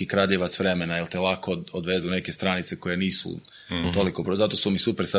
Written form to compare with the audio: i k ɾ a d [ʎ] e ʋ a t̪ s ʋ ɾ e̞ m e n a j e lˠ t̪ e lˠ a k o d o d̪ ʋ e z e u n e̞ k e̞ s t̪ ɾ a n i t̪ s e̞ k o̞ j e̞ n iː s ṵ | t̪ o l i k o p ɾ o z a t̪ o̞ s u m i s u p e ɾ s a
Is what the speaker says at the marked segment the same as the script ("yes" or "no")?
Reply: yes